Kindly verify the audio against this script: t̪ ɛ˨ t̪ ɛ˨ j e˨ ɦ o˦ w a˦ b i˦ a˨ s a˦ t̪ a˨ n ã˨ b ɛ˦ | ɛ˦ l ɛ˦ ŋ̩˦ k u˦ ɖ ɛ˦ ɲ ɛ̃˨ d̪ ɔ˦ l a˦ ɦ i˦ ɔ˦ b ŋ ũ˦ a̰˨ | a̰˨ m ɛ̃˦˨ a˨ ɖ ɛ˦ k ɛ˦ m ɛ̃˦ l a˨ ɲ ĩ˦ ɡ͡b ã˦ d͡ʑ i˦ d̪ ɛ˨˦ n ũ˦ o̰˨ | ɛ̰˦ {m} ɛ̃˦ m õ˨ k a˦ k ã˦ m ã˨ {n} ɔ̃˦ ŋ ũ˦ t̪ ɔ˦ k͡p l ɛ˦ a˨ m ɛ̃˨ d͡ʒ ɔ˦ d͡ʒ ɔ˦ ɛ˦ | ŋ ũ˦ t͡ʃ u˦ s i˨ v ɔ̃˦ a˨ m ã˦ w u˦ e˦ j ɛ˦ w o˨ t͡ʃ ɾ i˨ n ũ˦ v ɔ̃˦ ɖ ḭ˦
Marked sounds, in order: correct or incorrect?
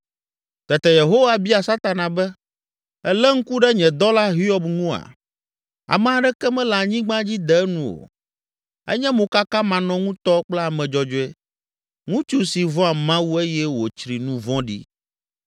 incorrect: ɲ, correct

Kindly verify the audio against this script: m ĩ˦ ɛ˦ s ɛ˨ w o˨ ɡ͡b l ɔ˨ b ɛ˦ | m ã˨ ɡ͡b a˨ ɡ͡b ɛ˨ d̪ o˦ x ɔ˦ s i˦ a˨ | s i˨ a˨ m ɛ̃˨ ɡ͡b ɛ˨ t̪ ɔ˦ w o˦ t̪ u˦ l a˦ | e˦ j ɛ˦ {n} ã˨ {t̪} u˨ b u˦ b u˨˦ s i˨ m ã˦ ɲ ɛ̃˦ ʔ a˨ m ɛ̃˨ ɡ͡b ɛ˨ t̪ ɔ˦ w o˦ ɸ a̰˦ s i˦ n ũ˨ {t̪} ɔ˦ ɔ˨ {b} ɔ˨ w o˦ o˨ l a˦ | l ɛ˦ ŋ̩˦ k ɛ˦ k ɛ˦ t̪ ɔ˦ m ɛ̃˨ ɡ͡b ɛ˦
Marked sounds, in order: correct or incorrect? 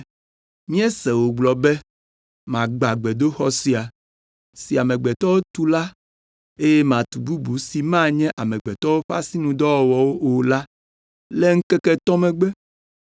incorrect: m, correct, incorrect: d̪, incorrect: w

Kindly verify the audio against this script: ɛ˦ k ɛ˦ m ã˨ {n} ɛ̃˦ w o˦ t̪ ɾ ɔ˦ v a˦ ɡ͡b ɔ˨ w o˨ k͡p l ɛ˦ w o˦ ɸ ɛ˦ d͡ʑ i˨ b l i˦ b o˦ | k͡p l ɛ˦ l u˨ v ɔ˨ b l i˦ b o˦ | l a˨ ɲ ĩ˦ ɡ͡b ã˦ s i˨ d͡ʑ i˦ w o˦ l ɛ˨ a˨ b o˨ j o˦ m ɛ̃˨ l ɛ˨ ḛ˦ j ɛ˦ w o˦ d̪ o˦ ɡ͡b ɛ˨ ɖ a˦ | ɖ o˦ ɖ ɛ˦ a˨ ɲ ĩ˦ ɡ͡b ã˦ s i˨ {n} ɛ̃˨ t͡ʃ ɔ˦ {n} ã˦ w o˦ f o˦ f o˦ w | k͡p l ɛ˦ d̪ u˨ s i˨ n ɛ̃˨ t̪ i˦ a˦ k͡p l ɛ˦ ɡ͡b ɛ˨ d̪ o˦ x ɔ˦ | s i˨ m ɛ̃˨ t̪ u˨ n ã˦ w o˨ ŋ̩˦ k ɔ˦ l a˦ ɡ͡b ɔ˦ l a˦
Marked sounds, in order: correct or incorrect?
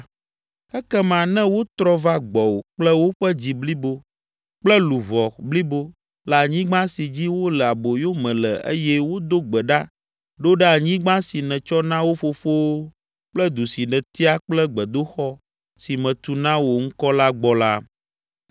correct, correct, correct

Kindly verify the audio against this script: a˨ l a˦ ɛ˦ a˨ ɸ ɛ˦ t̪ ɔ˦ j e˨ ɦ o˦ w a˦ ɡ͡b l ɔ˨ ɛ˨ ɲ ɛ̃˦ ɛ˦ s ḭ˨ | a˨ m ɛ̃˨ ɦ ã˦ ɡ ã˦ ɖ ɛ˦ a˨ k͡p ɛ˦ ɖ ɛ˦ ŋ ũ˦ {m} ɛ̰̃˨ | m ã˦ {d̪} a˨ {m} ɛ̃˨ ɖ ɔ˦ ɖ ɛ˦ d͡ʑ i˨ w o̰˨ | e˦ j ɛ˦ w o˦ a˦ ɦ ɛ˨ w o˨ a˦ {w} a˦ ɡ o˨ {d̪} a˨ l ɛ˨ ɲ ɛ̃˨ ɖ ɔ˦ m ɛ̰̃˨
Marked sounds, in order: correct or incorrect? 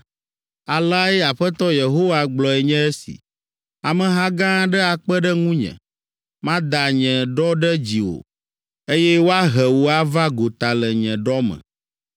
incorrect: ɲ, correct, incorrect: ɲ, incorrect: v, incorrect: t̪

